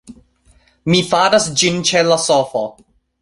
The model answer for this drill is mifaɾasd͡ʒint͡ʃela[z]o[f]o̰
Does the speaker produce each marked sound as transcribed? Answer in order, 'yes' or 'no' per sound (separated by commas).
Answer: no, yes